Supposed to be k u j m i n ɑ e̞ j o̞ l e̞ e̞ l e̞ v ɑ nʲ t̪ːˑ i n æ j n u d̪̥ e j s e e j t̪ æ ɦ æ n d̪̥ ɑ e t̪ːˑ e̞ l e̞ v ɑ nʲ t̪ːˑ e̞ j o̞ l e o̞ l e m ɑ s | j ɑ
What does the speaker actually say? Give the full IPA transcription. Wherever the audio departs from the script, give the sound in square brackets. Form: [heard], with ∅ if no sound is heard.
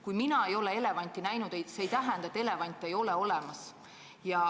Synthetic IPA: k u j m i n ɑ e̞ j o̞ l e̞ e̞ l e̞ v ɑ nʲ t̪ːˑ i n æ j n u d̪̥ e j s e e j t̪ æ ɦ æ n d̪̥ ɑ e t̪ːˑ e̞ l e̞ v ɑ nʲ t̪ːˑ e̞ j o̞ l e o̞ l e m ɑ s | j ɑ